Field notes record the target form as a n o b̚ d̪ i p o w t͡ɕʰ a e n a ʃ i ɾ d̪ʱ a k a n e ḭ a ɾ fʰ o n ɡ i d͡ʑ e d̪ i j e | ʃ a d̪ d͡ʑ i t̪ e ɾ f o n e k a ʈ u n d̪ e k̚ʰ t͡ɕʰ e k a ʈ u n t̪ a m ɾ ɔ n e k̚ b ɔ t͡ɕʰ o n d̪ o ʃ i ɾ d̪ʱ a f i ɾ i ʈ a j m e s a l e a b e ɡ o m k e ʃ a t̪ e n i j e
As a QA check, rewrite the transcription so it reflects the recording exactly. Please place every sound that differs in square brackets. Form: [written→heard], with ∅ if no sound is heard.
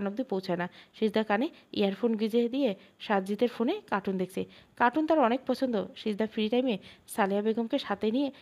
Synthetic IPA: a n o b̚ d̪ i p o w t͡ɕʰ a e n a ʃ i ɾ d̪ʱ a k a n e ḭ a ɾ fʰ o n ɡ i d͡ʑ e d̪ i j e | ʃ a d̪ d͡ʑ i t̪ e ɾ f o n e k a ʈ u n d̪ e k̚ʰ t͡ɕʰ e k a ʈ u n t̪ a [m→∅] ɾ ɔ n e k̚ [b→p] ɔ t͡ɕʰ o n d̪ o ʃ i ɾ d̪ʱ a f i ɾ i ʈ a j m e s a l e a b e ɡ o m k e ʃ a t̪ e n i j e

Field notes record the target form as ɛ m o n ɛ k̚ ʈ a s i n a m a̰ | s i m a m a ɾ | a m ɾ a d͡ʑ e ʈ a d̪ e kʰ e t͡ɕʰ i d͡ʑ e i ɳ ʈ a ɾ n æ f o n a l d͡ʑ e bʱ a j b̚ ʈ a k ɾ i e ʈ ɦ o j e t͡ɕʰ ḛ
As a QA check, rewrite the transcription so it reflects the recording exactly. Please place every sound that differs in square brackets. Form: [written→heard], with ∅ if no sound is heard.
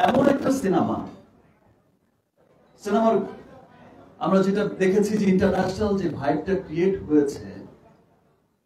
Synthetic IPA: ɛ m o n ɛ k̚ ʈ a s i n a m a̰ | s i [m→n] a m a ɾ | a m ɾ a d͡ʑ e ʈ a d̪ e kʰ e t͡ɕʰ i d͡ʑ e i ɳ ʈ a ɾ n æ [f→ʃ] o n a l d͡ʑ e bʱ a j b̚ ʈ a k ɾ i e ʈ ɦ o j e t͡ɕʰ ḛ

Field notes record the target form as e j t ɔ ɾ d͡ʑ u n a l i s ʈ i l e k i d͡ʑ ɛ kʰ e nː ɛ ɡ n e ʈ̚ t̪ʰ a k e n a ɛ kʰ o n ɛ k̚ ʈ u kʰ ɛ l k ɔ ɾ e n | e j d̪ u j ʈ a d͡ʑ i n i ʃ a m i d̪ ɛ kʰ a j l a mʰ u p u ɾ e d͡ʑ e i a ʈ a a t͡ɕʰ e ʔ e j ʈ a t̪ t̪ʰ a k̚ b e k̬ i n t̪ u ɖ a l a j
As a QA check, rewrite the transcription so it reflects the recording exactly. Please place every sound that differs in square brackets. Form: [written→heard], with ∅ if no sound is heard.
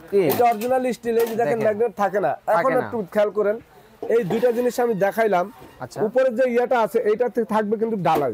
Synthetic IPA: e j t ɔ ɾ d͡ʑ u n a l i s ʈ i l e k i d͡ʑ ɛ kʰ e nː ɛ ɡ n e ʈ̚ t̪ʰ a k e n a ɛ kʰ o n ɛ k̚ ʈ u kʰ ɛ l k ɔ ɾ e n | e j d̪ u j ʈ a d͡ʑ i n i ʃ a m i d̪ ɛ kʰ a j l a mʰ u p [u→o] ɾ e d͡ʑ e i a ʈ a a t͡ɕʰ e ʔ e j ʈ a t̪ t̪ʰ a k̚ b e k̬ i n t̪ u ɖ a l a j

